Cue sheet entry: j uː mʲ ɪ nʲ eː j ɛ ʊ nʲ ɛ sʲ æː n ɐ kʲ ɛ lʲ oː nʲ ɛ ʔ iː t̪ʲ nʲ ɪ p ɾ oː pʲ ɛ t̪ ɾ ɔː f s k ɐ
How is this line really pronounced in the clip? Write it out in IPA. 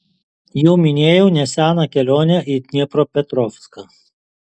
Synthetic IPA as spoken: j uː mʲ ɪ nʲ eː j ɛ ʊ nʲ ɛ sʲ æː n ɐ kʲ ɛ lʲ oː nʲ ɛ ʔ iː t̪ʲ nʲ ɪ p ɾ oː pʲ ɛ t̪ ɾ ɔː f s k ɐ